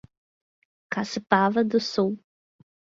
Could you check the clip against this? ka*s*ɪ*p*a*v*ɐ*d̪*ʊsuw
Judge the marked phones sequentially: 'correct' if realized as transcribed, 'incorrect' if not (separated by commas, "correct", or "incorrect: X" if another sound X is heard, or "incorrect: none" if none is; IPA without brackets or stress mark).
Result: correct, correct, correct, correct